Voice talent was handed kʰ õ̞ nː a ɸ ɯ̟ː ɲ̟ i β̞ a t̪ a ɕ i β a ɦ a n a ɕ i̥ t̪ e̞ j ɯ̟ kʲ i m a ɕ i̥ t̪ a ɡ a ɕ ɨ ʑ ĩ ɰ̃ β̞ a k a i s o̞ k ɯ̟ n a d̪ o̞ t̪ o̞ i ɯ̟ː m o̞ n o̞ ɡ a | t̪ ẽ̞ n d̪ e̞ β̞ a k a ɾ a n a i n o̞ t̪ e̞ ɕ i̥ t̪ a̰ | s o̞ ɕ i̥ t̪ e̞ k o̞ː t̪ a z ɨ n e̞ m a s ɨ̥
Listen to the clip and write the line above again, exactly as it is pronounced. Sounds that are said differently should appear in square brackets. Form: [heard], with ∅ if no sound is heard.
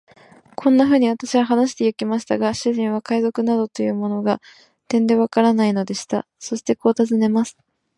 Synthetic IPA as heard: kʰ õ̞ nː a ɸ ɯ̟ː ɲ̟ i β̞ a t̪ a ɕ i β a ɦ a n a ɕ i̥ t̪ e̞ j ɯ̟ kʲ i m a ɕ i̥ t̪ a ɡ a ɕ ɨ ʑ ĩ ɰ̃ β̞ a k a i [z] o̞ k ɯ̟ n a d̪ o̞ t̪ o̞ [j] ɯ̟ː m o̞ n o̞ ɡ a | t̪ ẽ̞ n d̪ e̞ β̞ a k a ɾ a n a i n o̞ [d̪] e̞ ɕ i̥ t̪ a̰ | s o̞ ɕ i̥ t̪ e̞ k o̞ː t̪ a z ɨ n e̞ m a s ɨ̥